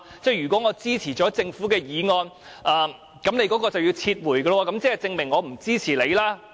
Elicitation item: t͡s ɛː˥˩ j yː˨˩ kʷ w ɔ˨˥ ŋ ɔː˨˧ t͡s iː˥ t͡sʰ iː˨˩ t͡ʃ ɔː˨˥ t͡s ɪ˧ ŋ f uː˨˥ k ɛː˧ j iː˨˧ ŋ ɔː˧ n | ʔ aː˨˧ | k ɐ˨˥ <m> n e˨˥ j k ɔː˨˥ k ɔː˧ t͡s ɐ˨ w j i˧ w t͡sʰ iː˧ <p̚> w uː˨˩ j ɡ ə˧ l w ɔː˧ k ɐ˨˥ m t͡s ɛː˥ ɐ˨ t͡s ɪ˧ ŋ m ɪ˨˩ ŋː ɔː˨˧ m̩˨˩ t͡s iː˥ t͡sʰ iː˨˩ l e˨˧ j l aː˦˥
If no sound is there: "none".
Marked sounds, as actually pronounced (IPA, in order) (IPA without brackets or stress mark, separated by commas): m, t̚